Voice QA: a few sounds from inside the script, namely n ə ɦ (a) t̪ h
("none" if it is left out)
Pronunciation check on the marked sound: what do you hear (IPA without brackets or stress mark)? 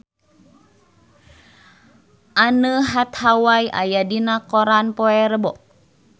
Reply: a